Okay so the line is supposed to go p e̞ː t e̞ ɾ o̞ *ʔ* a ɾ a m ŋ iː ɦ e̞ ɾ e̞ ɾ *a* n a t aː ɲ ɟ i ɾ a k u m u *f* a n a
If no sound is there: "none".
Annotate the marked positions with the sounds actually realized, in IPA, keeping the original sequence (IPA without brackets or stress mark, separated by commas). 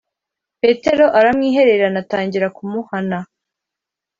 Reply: ʔ, a, h